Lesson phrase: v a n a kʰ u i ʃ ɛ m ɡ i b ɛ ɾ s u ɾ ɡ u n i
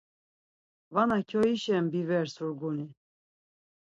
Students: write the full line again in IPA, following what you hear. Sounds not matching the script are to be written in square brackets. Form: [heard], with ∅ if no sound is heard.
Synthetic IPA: v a n a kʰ [ɔ] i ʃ ɛ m [b] i [v] ɛ ɾ s u ɾ ɡ u n i